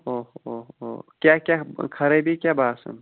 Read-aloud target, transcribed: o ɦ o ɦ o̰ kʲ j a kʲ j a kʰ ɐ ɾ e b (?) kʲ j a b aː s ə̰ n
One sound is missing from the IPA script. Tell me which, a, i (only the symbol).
i